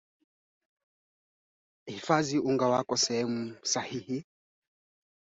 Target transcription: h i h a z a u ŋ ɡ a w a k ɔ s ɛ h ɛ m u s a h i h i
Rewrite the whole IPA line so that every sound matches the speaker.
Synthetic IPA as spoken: h i f a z i u ŋ ɡ a w a k ɔ s ɛ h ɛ m u s a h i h i

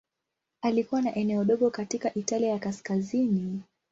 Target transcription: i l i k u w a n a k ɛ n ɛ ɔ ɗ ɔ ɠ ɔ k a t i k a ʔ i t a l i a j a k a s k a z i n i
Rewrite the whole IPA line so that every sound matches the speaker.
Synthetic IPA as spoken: a l i k u w a n a ʔ ɛ n ɛ ɔ ɗ ɔ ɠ ɔ k a t i k a ʔ i t a l i a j a k a s k a z i n i

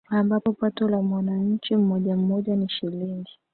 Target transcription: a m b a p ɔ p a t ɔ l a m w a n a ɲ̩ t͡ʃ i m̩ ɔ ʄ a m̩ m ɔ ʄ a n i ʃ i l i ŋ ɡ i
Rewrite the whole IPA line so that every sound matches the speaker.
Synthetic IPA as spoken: a m b a p ɔ p a t ɔ l a m w a n a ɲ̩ t͡ʃ i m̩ ɔ ʄ a m̩ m ɔ ʄ a n i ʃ i l i ŋ ɡ i

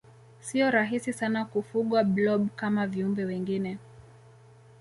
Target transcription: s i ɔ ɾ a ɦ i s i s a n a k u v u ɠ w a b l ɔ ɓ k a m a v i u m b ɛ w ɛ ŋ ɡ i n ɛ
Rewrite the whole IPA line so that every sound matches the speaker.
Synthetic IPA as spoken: s i ɔ ɾ a ɦ i s i s a n a k u f u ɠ w a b l ɔ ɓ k a m a v i u m b ɛ w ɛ ŋ ɡ i n ɛ

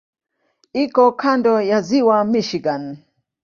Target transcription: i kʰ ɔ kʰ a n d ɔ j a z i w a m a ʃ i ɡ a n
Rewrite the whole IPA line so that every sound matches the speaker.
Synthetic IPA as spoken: i k ɔ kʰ a n d ɔ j a z i w a m i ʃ i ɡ a n

